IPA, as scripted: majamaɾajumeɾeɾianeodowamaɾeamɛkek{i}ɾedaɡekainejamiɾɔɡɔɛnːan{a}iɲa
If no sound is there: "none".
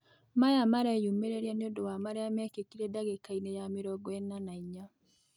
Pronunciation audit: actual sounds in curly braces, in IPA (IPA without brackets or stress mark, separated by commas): i, a